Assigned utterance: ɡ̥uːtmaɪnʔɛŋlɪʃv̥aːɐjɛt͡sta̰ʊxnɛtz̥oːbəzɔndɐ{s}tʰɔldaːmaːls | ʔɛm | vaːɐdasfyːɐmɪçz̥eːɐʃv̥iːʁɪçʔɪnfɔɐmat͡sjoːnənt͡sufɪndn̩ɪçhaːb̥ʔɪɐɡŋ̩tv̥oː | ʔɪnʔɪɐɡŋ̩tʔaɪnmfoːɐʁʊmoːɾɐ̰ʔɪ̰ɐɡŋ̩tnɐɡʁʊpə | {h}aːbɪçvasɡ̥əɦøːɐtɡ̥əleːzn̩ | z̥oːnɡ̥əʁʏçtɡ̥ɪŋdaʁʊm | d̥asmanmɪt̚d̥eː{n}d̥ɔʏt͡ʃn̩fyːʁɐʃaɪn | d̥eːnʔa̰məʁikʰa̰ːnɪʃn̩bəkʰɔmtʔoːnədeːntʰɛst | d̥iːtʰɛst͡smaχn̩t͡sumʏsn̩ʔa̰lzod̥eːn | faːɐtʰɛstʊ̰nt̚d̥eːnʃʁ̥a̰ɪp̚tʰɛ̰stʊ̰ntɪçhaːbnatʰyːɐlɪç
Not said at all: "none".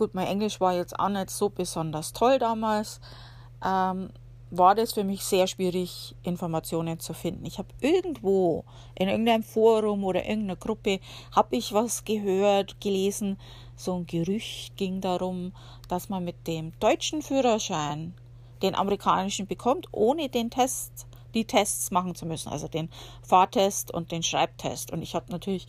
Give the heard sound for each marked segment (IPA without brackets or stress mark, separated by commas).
s, h, m